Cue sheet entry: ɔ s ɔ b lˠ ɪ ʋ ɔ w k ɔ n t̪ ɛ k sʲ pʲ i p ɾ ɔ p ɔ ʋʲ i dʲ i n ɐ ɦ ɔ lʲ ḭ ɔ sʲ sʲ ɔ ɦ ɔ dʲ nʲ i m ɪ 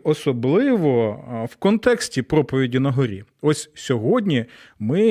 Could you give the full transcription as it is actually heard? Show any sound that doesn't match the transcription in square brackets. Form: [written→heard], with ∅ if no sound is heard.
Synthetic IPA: ɔ s ɔ b lˠ ɪ ʋ ɔ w k ɔ n t̪ ɛ k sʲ [pʲ→tʲ] i p ɾ ɔ p ɔ ʋʲ i dʲ i n ɐ ɦ ɔ [lʲ→ɾʲ] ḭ ɔ sʲ sʲ ɔ ɦ ɔ dʲ nʲ i m ɪ